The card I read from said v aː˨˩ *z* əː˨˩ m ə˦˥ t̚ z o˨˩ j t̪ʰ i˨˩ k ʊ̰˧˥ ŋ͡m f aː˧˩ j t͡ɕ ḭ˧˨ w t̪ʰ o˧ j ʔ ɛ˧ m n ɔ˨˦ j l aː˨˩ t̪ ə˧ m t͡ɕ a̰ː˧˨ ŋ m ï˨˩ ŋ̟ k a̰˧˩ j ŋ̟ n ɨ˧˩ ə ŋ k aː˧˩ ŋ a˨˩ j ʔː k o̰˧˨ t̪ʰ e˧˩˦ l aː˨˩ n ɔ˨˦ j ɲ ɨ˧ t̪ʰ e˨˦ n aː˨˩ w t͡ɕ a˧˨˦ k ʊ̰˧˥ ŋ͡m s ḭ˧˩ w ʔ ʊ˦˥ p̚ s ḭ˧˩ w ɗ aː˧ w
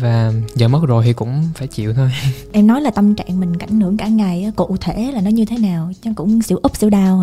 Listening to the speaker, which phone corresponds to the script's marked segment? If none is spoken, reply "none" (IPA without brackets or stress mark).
z